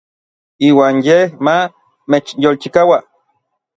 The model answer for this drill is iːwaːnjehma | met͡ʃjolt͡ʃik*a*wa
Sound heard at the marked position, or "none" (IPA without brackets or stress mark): a